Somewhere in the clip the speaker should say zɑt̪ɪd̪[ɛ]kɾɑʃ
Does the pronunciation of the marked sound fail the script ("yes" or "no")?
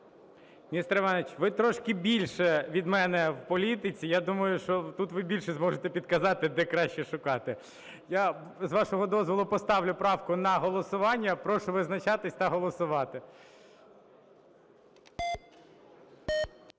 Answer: no